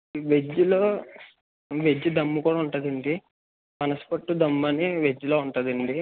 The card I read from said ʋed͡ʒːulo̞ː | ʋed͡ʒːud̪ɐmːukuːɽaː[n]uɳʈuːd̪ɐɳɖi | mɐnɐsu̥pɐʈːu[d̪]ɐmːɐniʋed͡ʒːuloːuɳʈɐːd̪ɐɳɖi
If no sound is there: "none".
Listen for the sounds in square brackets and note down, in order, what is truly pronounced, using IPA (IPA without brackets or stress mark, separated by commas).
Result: none, d̪